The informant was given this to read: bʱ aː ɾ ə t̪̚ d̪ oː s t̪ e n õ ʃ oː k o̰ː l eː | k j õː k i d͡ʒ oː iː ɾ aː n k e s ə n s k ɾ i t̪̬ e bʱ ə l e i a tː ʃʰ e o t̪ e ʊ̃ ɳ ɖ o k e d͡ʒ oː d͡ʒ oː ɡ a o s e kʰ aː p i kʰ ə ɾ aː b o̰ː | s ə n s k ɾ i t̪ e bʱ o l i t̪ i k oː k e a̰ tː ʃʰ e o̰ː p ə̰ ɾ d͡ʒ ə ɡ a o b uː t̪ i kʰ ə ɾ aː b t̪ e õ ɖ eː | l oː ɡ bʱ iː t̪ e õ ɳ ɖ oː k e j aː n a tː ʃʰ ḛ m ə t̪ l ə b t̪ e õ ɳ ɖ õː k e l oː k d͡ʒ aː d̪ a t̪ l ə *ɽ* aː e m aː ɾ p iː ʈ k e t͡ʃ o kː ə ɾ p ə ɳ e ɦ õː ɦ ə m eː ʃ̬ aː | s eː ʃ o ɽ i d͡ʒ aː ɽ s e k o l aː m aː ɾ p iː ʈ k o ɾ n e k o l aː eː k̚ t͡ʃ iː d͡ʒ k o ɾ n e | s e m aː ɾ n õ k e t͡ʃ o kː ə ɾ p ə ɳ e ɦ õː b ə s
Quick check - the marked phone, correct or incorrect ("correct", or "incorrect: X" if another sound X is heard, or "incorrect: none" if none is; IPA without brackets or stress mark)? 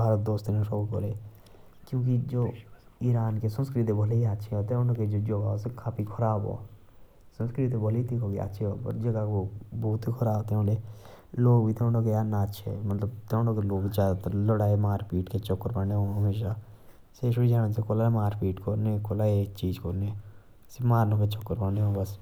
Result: correct